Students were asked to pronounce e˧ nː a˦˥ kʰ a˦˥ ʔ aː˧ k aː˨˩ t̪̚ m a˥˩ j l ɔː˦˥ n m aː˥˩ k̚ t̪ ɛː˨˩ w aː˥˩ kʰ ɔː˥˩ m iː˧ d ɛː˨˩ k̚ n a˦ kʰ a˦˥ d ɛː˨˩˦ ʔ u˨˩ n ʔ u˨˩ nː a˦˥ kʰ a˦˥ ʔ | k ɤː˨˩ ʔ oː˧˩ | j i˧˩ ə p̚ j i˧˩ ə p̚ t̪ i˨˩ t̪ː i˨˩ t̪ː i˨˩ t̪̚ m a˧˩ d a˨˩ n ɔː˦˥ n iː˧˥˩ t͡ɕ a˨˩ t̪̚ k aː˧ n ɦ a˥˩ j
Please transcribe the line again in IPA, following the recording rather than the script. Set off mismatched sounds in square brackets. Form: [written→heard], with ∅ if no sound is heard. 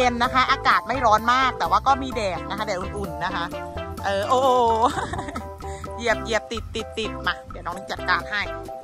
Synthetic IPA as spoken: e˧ nː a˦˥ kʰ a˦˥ ʔ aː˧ k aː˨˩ t̪̚ m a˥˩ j [l→ɾ] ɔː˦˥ n m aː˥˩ k̚ t̪ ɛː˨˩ w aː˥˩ [kʰ→k] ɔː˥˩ m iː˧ d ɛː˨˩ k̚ n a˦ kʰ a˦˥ d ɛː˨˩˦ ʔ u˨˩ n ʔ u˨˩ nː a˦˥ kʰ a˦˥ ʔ | [k→ʔ] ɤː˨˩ ʔ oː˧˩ | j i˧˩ ə p̚ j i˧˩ ə p̚ t̪ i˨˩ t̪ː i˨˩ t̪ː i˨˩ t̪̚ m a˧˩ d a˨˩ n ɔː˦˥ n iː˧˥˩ t͡ɕ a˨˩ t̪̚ k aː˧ n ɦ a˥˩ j

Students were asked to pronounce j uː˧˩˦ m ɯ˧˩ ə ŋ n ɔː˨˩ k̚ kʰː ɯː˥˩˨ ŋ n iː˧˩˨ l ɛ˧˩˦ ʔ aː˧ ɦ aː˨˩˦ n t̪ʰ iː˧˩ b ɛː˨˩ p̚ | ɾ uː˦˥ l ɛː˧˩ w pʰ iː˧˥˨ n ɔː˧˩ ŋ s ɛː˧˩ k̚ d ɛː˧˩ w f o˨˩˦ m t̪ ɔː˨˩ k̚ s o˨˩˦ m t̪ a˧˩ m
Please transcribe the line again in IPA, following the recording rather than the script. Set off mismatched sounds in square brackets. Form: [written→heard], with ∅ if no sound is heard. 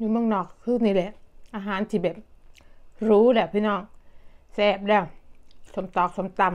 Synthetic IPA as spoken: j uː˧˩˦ m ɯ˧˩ ə ŋ n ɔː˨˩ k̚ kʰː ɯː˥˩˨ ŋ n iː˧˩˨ l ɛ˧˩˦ ʔ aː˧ ɦ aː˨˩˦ n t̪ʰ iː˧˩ b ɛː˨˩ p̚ | ɾ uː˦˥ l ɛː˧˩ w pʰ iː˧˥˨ n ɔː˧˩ ŋ s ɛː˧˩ [k̚→p̚] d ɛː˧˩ w [f→s] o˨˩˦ m t̪ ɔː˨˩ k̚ s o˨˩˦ m t̪ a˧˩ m

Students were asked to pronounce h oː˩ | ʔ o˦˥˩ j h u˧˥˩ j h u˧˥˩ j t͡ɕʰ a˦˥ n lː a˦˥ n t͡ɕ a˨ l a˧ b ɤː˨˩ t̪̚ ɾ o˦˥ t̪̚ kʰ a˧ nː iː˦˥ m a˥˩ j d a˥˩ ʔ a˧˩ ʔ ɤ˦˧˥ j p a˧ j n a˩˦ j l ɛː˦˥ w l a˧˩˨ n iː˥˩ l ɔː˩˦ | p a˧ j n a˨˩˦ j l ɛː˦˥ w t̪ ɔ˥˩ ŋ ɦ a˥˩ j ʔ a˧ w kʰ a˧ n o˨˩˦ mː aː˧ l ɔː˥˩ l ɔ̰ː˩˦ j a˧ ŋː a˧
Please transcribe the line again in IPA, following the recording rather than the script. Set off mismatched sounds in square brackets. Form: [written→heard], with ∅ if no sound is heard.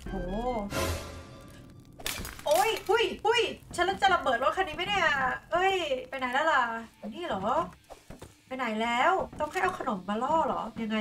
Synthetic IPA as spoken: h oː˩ | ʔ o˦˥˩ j h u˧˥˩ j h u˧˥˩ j t͡ɕʰ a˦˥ n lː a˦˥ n t͡ɕ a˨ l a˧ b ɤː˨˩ t̪̚ ɾ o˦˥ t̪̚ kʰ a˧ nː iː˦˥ m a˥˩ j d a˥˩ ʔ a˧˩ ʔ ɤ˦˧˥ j p a˧ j n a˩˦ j l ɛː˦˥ w l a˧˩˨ n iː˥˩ l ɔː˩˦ | p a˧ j n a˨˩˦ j l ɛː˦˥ w t̪ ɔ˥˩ ŋ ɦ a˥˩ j ʔ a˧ w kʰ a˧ n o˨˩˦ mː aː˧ l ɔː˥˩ l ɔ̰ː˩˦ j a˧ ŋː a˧

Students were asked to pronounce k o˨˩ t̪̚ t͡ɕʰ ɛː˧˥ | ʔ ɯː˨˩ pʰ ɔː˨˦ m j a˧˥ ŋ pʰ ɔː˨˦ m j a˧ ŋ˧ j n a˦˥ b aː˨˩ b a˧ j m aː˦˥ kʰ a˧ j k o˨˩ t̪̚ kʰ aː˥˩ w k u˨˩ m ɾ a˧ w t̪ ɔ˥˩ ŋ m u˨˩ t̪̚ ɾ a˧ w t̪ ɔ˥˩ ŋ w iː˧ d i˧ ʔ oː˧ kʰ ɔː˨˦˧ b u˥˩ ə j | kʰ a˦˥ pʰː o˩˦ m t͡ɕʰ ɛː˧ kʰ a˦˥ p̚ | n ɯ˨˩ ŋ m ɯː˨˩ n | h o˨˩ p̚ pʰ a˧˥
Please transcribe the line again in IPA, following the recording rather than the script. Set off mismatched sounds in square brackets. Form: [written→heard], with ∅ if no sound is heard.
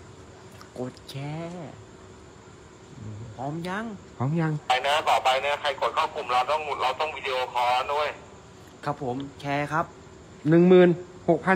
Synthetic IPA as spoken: k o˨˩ t̪̚ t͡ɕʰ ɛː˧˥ | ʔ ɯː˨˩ pʰ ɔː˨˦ m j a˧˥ ŋ pʰ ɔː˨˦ m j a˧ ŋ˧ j n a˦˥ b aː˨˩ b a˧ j [m→n] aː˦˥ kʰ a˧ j k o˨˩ t̪̚ kʰ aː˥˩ w k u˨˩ m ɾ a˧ w t̪ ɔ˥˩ ŋ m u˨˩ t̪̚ ɾ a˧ w t̪ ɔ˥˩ ŋ w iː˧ d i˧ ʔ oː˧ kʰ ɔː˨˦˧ [b→d] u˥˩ ə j | kʰ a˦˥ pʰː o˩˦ m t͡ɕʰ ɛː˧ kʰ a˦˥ p̚ | n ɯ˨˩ ŋ m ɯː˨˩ n | h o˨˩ [p̚→k̚] pʰ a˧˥

